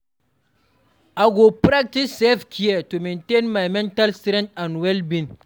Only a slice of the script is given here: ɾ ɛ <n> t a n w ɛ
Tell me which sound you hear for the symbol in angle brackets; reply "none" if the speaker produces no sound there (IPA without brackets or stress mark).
n